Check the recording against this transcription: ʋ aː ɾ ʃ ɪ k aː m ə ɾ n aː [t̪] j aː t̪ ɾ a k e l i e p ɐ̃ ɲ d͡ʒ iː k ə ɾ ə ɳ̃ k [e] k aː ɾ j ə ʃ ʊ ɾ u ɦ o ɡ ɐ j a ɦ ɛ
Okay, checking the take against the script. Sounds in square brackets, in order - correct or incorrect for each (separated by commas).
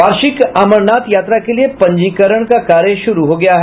correct, incorrect